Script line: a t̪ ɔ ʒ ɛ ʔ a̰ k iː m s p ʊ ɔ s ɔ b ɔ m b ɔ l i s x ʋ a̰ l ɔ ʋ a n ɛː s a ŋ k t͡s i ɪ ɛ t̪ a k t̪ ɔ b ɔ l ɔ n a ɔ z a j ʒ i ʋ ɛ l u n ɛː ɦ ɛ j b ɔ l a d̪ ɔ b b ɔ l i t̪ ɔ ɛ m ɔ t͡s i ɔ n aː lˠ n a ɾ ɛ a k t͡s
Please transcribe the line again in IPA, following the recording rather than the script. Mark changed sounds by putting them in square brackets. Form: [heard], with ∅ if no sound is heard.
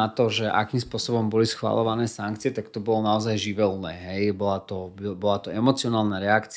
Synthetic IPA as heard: a t̪ ɔ ʒ ɛ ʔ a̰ k iː m s p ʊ ɔ s ɔ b ɔ m b ɔ l i s x ʋ a̰ l ɔ ʋ a n ɛː s a ŋ k t͡s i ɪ ɛ t̪ a k t̪ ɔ b ɔ l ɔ n a ɔ z a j ʒ i ʋ ɛ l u n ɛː ɦ ɛ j b ɔ l a [t̪] ɔ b b ɔ l [a] t̪ ɔ ɛ m ɔ t͡s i ɔ n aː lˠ n a ɾ ɛ a k t͡s